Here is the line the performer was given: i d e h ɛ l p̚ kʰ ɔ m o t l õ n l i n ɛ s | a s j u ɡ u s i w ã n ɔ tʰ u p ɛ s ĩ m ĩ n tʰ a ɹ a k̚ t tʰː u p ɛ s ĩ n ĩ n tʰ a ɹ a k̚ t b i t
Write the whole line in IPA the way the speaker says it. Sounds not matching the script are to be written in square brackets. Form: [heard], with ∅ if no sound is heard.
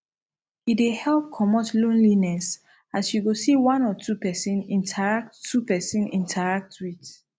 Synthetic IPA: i d e h ɛ l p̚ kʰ ɔ m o t l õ n l i n ɛ s | a s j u ɡ [o] s i w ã n ɔ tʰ u p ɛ s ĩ [n] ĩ n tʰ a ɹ a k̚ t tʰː u p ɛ s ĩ n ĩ n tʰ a ɹ a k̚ t [w] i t